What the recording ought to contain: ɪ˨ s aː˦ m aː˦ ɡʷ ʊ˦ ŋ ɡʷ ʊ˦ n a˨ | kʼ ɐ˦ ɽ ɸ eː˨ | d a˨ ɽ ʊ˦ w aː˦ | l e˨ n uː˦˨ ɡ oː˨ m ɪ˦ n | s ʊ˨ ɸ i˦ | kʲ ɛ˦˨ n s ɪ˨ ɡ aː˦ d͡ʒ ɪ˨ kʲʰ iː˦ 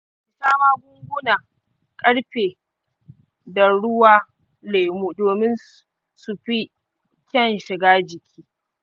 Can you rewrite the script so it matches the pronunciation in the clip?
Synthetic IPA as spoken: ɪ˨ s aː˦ m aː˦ ɡʷ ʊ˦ ŋ ɡʷ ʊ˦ n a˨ | kʼ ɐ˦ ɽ ɸ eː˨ | d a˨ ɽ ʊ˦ w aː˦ | l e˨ m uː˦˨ d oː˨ m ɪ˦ n | s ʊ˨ ɸ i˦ | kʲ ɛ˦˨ n ʃ ɪ˨ ɡ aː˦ d͡ʒ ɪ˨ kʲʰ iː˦